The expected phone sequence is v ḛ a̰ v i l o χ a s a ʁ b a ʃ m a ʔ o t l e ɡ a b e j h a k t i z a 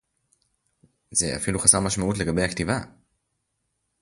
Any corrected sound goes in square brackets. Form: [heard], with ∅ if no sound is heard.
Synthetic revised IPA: [z] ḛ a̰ [f] i l [u] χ a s a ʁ [m] a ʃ m a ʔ [u] t l e ɡ a b e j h a k t i [v] a